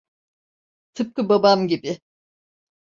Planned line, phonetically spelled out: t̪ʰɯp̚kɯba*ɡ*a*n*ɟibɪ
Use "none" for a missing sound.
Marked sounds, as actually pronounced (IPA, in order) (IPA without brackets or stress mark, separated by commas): b, m